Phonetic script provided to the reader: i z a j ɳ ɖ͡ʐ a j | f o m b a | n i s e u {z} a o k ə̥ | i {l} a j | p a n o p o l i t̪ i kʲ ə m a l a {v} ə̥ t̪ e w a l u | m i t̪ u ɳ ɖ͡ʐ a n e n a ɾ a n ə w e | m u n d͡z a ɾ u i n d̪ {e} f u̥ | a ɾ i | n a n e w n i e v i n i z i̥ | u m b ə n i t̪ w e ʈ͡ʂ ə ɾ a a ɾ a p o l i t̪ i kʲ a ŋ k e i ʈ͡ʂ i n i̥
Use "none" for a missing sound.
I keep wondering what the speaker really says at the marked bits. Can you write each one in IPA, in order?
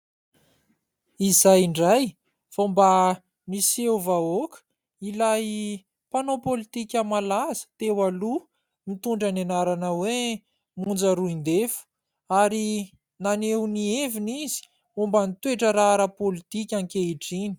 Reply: v, l, z, e

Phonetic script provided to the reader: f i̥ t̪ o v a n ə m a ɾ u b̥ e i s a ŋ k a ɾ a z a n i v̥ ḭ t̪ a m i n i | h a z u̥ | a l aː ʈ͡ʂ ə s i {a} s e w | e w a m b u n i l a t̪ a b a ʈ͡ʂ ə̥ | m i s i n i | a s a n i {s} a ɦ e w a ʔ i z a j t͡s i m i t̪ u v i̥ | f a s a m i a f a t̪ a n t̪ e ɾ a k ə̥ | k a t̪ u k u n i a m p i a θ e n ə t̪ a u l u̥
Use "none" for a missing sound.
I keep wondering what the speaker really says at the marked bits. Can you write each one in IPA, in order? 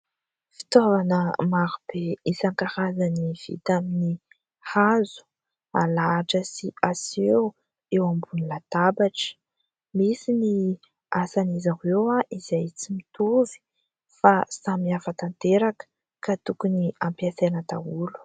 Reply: a, z

